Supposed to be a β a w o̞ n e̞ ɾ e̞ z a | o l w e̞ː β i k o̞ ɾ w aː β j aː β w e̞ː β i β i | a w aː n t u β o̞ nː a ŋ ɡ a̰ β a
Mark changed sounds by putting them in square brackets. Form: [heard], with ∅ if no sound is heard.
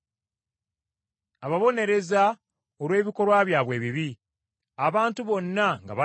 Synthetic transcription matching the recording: a β a [β] o̞ n e̞ ɾ e̞ z a | o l w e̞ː β i k o̞ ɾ w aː β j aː β w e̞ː β i β i | a [β] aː n t u β o̞ nː a ŋ ɡ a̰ β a